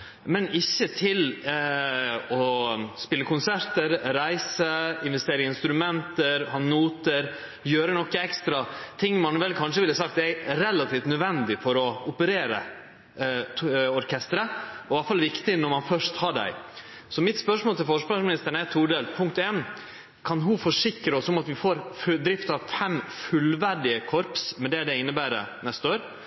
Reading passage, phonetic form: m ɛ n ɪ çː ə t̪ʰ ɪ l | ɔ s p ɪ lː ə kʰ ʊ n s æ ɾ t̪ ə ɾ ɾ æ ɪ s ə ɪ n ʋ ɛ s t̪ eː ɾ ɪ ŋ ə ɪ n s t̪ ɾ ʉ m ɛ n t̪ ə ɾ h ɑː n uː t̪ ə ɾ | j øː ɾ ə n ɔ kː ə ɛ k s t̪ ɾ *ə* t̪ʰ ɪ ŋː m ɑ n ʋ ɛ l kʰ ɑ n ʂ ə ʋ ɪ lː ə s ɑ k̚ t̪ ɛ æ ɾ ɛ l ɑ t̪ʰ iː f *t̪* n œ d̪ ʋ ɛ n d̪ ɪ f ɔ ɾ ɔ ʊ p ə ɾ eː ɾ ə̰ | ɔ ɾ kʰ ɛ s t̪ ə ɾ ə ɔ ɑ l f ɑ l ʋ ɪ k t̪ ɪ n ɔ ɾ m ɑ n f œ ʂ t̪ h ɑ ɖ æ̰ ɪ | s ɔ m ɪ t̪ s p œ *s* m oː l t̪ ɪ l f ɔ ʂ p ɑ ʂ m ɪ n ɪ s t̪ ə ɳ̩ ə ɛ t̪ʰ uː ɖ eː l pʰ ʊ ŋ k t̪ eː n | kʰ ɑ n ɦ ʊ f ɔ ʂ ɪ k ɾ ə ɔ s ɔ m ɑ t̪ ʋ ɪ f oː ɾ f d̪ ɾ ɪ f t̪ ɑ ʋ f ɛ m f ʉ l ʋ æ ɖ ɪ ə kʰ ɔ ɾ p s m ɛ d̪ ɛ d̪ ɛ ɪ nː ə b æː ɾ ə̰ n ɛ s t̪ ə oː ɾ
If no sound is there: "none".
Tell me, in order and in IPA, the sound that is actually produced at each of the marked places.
ɑ, t̪, ʂ

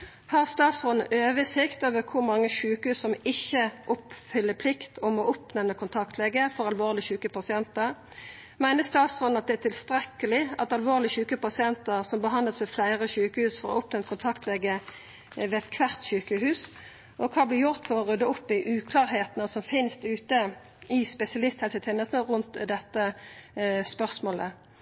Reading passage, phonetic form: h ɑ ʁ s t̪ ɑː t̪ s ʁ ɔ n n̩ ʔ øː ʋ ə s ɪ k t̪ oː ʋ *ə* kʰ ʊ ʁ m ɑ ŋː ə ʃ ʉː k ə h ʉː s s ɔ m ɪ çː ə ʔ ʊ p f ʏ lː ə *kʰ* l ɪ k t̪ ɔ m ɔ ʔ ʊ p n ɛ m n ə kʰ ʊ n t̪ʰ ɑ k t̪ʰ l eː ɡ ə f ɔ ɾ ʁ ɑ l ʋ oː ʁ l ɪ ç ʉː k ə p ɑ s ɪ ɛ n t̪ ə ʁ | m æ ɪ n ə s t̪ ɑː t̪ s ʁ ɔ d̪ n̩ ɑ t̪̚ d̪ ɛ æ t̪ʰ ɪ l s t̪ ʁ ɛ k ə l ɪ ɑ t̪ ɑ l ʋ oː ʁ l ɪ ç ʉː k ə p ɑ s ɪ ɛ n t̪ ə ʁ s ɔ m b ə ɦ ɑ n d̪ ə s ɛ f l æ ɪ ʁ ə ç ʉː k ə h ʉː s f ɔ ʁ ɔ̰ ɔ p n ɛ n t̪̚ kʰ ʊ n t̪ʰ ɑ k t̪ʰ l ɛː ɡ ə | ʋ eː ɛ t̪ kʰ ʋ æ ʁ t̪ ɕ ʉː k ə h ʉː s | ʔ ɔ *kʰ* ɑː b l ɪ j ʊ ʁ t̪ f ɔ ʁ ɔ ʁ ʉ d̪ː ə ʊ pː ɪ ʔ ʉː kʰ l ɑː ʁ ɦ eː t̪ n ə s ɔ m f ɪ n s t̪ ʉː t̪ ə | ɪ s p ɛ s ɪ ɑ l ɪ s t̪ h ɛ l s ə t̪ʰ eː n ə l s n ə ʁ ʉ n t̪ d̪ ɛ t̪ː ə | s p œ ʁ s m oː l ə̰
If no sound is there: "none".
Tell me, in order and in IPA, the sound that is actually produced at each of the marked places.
ə, pʰ, kʰ

